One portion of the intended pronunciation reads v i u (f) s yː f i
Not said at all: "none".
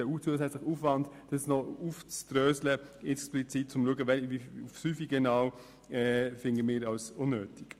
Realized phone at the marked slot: f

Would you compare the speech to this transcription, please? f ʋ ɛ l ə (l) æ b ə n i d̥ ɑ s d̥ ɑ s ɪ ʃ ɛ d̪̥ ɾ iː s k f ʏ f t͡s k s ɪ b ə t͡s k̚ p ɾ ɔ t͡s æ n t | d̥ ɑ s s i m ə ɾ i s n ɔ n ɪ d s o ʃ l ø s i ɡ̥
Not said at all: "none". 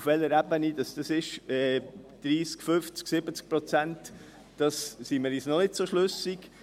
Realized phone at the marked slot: ɾ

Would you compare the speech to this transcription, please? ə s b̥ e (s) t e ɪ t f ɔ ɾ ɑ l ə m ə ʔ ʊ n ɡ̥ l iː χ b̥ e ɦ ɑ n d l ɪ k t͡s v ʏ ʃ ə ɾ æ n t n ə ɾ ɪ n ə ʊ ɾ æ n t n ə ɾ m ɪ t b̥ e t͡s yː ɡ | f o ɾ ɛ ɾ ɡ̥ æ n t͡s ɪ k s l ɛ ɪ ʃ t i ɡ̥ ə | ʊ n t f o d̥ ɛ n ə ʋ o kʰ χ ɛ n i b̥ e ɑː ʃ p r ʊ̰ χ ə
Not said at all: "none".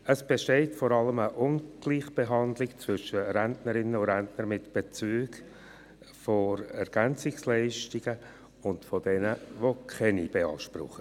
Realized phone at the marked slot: ʃ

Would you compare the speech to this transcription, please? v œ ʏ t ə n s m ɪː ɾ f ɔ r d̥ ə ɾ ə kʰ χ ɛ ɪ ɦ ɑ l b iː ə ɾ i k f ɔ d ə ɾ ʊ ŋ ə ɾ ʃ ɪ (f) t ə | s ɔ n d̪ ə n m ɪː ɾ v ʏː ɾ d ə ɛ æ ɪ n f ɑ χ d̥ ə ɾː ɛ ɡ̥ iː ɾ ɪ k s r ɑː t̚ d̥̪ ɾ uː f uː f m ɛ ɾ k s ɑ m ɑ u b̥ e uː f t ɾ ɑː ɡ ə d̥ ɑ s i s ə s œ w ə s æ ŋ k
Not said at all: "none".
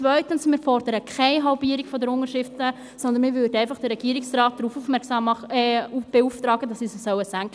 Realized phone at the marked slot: f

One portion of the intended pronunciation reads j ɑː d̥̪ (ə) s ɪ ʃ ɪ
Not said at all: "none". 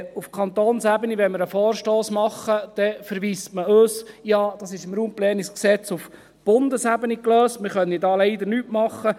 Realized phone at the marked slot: ɑ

